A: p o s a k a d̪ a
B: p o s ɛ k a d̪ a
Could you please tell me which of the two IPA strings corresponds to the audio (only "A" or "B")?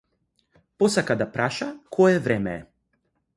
A